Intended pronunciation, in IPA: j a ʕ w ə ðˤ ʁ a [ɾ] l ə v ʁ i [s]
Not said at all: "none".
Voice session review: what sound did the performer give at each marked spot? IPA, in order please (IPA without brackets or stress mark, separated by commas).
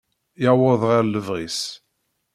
ɾ, s